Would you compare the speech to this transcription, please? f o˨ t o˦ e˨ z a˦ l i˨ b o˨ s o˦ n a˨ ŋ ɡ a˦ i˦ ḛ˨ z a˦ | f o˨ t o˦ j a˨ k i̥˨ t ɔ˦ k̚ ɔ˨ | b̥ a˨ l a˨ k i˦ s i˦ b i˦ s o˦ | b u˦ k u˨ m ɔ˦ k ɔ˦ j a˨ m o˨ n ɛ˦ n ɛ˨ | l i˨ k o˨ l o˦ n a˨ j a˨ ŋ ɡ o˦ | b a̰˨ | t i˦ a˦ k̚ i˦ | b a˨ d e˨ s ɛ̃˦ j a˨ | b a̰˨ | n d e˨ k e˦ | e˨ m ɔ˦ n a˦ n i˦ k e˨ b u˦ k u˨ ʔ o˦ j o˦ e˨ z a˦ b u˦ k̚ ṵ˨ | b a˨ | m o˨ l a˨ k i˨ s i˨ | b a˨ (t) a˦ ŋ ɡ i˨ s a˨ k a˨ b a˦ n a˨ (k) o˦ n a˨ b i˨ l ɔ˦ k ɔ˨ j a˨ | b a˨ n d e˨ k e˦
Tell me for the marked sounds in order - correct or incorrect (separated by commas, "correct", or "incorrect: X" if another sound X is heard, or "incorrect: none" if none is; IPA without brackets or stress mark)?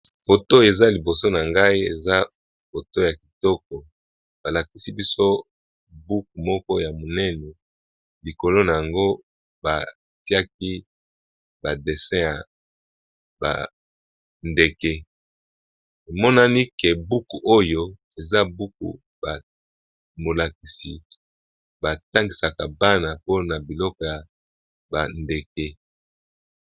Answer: correct, incorrect: p